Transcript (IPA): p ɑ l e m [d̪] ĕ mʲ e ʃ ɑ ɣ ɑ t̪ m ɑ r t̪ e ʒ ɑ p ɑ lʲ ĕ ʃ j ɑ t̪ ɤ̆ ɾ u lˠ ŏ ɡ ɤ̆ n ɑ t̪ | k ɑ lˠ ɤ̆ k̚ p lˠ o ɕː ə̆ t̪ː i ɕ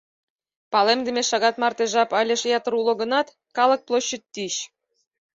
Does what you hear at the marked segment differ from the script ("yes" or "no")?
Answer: no